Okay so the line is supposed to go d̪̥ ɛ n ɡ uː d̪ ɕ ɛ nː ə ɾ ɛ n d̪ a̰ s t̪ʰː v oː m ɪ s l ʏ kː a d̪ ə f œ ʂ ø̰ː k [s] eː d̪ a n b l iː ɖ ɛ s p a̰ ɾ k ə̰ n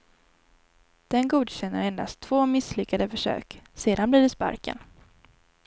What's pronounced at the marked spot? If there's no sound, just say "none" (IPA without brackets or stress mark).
s